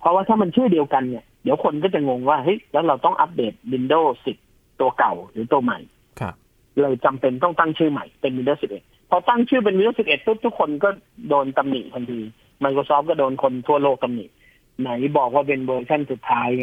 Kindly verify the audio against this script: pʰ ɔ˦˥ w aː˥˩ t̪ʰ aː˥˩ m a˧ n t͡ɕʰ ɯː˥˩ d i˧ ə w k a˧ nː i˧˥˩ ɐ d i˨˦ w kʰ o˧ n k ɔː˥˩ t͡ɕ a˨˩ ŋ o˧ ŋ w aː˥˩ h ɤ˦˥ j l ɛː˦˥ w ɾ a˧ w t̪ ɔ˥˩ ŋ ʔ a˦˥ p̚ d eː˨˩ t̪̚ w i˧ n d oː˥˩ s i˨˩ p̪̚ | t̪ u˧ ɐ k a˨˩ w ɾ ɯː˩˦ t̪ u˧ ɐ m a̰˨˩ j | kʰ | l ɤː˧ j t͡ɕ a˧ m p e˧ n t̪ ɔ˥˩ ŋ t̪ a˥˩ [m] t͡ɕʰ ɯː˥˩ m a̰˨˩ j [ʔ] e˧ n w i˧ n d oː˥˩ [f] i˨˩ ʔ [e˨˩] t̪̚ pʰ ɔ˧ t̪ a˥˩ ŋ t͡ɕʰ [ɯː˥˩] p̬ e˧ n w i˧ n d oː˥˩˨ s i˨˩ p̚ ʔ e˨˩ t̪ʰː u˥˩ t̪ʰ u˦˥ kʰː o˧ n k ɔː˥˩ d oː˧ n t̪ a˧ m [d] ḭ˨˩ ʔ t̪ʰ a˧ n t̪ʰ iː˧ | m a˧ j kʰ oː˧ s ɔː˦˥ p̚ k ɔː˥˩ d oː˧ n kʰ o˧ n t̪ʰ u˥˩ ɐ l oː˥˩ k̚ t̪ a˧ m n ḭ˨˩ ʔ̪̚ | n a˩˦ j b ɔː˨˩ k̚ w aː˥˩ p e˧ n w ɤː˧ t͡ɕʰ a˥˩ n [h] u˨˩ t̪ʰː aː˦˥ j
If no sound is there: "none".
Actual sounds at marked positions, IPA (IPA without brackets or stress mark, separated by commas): ŋ, p, s, e˨˩, ɯː˥˩, n, s